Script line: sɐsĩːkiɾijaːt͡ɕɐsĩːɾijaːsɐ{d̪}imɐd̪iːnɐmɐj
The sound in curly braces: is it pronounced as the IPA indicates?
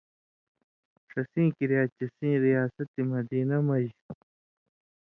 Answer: no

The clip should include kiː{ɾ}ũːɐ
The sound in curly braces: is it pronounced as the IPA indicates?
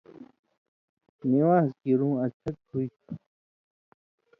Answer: yes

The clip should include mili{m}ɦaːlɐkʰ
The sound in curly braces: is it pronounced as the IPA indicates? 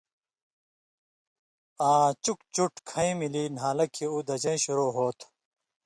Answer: no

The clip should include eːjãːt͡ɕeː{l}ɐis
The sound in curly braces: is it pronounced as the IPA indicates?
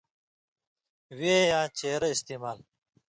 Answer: no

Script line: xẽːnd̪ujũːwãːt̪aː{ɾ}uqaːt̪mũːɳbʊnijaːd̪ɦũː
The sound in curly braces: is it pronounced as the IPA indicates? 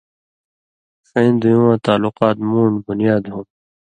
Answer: no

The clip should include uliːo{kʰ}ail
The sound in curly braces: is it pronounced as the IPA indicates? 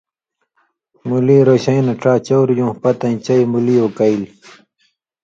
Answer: no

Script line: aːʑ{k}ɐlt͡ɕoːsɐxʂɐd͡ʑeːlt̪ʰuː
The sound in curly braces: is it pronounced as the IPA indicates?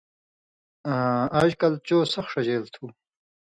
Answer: yes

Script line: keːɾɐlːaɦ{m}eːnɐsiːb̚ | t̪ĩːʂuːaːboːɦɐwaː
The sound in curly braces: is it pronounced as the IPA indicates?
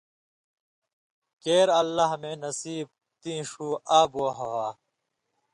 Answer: yes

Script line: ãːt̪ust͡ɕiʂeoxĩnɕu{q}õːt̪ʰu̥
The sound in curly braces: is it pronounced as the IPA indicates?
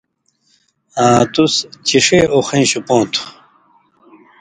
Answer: no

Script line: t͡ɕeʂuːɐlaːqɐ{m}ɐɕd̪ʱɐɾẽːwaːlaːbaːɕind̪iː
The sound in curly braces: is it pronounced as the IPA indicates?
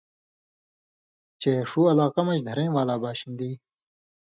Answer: yes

